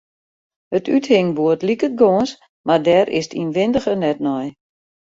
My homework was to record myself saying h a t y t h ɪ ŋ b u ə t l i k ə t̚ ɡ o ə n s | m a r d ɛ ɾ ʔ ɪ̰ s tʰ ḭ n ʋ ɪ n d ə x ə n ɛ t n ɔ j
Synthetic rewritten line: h ə t y t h ɪ ŋ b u ə t l i k ə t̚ ɡ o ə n s | m a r d ɛ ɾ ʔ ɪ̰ s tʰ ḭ n ʋ ɪ n d ə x ə n ɛ t n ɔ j